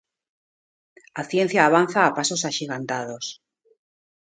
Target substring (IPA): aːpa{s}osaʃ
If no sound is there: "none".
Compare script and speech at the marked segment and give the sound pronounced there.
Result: s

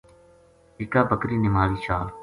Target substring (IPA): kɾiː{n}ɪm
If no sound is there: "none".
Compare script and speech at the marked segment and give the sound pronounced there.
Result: n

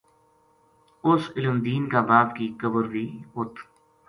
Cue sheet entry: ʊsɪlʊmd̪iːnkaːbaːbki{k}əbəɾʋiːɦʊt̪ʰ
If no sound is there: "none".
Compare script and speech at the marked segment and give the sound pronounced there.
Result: k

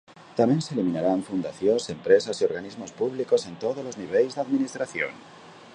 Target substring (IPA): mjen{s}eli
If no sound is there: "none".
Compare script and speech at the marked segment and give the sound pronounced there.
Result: s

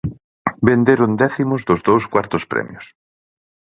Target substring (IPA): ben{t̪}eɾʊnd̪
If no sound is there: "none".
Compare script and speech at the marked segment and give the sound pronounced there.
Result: d̪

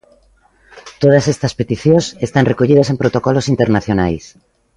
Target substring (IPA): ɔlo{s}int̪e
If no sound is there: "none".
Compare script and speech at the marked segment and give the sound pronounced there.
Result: s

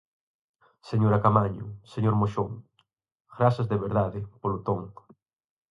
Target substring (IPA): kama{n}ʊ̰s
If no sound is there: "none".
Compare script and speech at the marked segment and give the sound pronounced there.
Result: ɲ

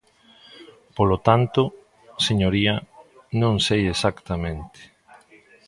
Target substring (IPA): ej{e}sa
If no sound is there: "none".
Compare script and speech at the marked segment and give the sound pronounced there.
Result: e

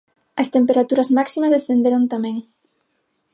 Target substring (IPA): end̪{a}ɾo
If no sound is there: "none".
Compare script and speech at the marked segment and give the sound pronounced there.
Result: e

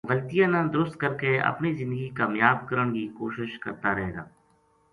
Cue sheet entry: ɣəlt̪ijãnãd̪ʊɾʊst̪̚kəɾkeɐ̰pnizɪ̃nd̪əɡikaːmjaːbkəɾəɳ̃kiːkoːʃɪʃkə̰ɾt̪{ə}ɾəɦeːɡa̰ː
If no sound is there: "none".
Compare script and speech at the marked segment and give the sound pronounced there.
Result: a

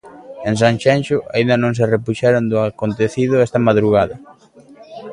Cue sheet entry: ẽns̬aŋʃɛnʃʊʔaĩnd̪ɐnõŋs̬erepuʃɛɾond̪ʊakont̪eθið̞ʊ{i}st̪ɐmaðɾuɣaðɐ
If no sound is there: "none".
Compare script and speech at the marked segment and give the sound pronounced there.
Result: ɛ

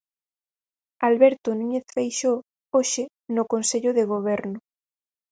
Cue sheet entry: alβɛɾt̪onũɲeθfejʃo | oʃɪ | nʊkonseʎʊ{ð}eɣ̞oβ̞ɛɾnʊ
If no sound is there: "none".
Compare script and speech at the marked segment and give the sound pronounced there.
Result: ð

